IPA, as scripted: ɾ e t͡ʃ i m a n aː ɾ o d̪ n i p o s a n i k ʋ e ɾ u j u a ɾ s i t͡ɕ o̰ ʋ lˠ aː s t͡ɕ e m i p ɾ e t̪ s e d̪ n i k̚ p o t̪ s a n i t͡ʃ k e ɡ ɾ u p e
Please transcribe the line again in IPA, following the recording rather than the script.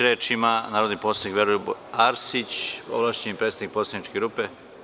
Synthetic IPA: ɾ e t͡ʃ i m a n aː ɾ o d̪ n i p o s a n i k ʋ e ɾ u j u a ɾ s i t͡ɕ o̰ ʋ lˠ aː ʃ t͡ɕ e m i p ɾ e t̪ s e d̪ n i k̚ p o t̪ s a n i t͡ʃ k e ɡ ɾ u p e